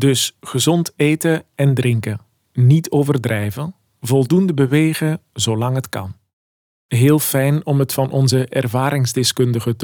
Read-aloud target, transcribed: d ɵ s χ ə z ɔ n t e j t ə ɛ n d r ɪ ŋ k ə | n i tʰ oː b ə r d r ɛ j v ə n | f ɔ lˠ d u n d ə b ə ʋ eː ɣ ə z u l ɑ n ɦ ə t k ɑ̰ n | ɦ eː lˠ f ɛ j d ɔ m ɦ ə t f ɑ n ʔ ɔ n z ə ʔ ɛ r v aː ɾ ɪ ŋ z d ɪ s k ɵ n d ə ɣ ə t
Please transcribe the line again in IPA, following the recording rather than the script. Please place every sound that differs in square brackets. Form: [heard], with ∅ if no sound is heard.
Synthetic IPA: d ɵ s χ ə z ɔ n t e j t ə ɛ n d r ɪ ŋ k ə | n i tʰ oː [v] ə r d r ɛ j v ə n | [v] ɔ lˠ d u n d ə b ə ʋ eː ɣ ə z [o] l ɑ [ŋ] ɦ ə t k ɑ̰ n | ɦ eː lˠ f ɛ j [n] ɔ m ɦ ə t f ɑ n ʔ ɔ n z ə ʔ ɛ r v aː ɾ ɪ ŋ z d ɪ s k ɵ n d ə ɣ ə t